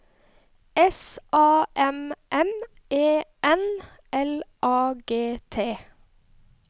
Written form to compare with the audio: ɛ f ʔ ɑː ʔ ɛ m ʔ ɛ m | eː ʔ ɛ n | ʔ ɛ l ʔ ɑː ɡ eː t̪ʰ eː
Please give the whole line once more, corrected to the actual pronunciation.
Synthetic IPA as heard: ɛ s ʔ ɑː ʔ ɛ m ʔ ɛ m | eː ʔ ɛ n | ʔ ɛ l ʔ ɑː ɡ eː t̪ʰ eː